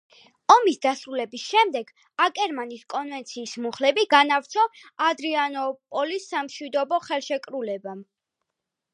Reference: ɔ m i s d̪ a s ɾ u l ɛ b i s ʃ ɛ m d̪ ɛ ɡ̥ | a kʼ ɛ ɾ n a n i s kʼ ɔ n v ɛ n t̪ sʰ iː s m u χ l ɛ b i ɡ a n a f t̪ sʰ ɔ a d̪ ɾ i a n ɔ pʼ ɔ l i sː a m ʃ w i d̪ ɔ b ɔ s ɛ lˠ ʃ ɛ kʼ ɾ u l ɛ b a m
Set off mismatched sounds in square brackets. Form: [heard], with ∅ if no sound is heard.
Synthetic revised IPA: ɔ m i s d̪ a s ɾ u l ɛ b i s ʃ ɛ m d̪ ɛ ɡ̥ | a kʼ ɛ ɾ [m] a n i s kʼ ɔ n v ɛ n t̪ sʰ iː s m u χ l ɛ b i ɡ a n a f t̪ sʰ ɔ a d̪ ɾ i a n ɔ pʼ ɔ l i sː a m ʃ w i d̪ ɔ b ɔ [χ] ɛ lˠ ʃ ɛ kʼ ɾ u l ɛ b a m